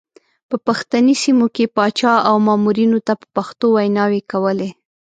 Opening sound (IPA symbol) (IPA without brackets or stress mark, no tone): p